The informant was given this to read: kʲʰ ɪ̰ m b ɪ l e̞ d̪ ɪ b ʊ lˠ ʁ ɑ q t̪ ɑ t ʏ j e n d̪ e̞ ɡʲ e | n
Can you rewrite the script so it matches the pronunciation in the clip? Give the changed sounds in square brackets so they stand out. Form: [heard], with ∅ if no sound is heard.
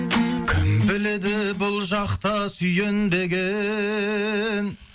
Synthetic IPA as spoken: kʲʰ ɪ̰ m b ɪ l e̞ d̪ ɪ b ʊ lˠ [ʒ] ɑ q t̪ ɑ [s] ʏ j e n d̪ e̞ ɡʲ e | n